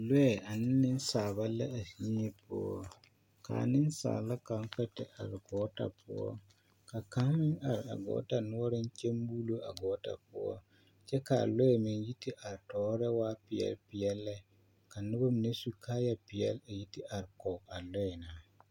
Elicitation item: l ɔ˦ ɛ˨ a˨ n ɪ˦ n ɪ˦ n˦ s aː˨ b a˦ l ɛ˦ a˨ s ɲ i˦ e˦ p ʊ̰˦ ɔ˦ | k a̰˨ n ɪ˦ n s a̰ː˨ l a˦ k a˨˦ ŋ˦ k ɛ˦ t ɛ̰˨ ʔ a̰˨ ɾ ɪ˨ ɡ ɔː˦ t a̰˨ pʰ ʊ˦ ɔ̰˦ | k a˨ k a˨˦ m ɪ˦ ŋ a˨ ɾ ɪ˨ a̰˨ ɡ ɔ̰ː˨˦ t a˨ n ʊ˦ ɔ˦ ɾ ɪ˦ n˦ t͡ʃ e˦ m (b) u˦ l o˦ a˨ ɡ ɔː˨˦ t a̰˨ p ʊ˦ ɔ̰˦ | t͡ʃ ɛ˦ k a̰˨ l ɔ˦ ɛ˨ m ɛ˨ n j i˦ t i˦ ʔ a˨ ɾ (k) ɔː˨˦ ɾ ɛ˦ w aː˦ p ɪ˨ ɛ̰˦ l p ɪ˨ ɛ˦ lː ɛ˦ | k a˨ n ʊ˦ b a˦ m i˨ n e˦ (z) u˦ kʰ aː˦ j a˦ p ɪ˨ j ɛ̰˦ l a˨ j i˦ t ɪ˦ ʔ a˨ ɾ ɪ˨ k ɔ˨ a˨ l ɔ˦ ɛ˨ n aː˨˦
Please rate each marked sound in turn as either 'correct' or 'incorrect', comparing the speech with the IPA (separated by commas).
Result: correct, incorrect, incorrect